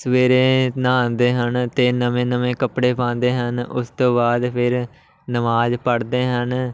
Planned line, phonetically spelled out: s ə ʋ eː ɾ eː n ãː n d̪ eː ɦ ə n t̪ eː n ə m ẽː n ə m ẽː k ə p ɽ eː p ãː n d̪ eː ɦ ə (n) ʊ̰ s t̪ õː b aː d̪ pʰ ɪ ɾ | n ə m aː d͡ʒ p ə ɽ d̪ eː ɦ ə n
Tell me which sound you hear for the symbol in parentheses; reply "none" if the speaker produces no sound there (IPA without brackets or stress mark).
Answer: n